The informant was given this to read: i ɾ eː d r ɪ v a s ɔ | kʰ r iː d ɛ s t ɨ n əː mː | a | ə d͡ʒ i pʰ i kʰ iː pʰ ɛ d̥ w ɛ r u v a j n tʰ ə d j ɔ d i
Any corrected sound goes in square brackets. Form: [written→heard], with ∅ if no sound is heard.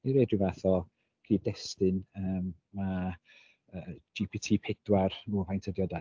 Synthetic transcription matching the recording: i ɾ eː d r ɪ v a [s→θ] ɔ | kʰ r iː d ɛ s t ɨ n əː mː | a | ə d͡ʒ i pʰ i [kʰ→tʰ] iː pʰ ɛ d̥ w [ɛ→a] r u v a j n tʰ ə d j ɔ d [i→a]